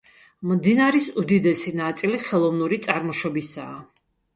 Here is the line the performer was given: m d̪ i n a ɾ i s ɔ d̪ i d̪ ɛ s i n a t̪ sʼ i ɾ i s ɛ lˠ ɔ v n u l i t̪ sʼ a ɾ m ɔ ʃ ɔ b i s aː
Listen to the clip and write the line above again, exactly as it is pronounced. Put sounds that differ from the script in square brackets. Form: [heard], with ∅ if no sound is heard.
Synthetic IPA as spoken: m d̪ i n a ɾ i s [u] d̪ i d̪ ɛ s i n a t̪ sʼ i [l] i [χ] ɛ lˠ ɔ v n u [ɾ] i t̪ sʼ a ɾ m ɔ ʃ ɔ b i s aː